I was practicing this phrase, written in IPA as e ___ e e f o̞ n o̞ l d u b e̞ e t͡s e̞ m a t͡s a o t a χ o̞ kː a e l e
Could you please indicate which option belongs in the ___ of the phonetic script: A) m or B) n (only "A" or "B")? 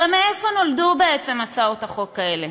A